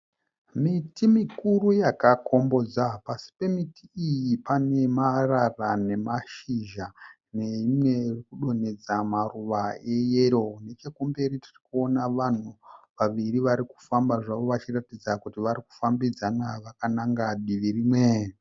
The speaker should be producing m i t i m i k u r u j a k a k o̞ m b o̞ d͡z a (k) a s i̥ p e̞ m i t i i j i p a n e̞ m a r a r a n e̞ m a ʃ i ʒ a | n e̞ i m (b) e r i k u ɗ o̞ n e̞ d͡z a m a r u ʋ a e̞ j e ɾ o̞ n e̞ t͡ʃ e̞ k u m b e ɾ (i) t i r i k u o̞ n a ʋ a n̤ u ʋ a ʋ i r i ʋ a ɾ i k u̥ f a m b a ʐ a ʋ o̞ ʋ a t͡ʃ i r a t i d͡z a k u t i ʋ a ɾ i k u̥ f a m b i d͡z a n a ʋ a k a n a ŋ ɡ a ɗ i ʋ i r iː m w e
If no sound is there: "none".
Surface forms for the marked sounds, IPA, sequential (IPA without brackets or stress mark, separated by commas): p, w, i